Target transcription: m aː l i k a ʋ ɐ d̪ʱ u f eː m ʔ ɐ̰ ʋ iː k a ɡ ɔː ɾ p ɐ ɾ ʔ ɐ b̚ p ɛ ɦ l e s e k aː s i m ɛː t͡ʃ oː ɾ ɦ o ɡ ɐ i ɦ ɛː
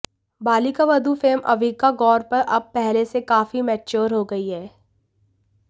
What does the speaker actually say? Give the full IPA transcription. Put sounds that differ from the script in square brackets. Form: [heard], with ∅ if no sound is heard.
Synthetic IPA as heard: [b] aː l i k a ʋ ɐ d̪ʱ u f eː m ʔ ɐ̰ ʋ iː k a ɡ ɔː ɾ p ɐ ɾ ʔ ɐ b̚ p ɛ ɦ l e s e k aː [f] i m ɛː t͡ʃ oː ɾ ɦ o ɡ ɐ i ɦ ɛː